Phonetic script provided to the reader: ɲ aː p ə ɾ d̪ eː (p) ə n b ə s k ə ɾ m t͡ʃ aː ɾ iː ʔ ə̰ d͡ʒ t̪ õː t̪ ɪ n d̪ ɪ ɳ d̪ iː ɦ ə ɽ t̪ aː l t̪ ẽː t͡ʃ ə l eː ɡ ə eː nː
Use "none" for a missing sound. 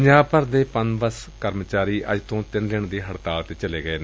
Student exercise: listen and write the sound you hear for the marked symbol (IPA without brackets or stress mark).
p